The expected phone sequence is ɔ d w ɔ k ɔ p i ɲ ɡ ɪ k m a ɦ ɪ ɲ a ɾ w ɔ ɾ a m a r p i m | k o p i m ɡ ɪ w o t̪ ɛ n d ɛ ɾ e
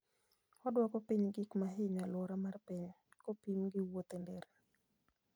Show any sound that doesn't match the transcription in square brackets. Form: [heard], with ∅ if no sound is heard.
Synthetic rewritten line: ɔ d w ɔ k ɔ p i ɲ ɡ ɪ k m a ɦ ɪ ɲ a [l] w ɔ ɾ a m a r p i [ɲ] | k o p i m ɡ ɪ w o t̪ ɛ n d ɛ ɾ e